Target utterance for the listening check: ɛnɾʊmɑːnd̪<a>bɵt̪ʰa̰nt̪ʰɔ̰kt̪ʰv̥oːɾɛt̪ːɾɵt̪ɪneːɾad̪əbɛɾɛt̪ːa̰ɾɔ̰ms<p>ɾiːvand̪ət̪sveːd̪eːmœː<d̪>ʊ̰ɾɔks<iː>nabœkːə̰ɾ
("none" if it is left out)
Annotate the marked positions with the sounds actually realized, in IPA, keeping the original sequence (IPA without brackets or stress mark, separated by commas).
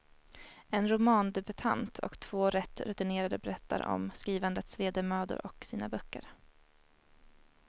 ɛ, k, d̪, iː